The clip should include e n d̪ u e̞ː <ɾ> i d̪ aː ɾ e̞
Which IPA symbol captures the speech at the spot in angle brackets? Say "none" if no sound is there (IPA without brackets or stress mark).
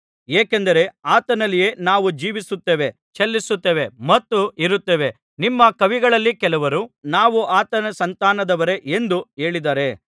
ɭ